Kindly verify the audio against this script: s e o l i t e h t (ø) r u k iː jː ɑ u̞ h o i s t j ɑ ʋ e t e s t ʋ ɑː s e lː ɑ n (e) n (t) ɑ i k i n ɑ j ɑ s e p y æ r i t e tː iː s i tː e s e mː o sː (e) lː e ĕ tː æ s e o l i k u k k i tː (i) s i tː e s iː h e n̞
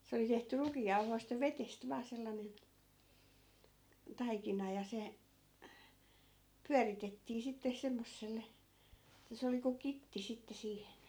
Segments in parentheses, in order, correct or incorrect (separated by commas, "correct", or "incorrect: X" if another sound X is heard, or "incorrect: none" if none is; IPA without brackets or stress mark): incorrect: y, correct, correct, correct, correct